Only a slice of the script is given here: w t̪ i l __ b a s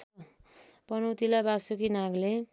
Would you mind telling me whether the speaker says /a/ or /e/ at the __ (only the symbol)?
a